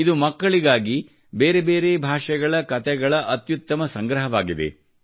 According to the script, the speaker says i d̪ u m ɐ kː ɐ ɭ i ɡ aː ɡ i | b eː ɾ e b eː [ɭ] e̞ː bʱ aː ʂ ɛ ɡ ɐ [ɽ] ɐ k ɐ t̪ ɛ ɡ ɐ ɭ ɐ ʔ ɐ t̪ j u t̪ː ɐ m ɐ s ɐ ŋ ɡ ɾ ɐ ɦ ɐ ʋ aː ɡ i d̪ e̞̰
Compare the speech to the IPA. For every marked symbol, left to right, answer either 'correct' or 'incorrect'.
incorrect, incorrect

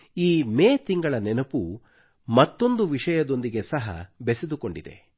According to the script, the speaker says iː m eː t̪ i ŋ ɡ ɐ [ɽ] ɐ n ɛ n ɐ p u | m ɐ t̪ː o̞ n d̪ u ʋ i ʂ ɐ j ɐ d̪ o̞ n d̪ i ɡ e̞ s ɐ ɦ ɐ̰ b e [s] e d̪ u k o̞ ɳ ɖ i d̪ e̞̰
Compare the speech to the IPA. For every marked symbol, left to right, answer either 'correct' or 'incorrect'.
incorrect, correct

